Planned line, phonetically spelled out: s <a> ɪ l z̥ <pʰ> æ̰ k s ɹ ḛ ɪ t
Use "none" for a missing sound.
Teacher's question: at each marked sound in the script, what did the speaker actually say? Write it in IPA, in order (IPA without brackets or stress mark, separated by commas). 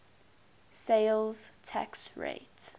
e, tʰ